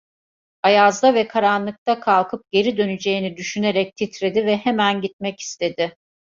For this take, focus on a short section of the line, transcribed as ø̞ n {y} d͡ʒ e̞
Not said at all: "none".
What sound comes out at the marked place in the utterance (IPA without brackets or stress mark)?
y